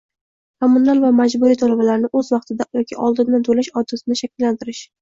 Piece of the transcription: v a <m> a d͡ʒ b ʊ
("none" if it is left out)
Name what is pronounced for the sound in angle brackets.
m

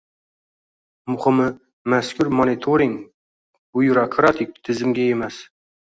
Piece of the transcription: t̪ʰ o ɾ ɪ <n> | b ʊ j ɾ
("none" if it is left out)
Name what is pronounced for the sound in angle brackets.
ŋ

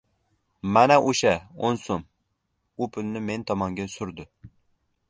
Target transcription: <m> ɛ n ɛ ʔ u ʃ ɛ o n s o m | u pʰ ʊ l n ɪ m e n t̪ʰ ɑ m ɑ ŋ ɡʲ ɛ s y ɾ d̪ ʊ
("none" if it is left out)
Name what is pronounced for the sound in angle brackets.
m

